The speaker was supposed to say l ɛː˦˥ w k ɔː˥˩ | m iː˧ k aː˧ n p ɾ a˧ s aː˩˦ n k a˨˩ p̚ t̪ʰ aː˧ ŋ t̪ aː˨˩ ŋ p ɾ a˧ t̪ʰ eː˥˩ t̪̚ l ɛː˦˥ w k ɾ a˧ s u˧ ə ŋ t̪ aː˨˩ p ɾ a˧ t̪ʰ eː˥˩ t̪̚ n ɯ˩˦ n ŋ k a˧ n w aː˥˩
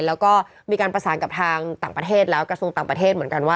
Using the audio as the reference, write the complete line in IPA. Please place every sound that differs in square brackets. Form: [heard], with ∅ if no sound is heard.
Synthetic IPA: l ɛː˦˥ w k ɔː˥˩ | m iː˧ k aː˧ n p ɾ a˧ s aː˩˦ n k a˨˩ p̚ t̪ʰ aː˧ ŋ t̪ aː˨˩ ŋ p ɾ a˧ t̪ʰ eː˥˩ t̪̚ l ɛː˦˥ w k ɾ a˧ s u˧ ə ŋ t̪ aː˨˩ p ɾ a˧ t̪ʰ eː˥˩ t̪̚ [m] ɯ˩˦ n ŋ k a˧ n w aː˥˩